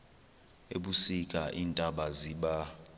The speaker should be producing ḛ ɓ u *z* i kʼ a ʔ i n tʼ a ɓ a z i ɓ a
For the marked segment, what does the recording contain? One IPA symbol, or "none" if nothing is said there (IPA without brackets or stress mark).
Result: s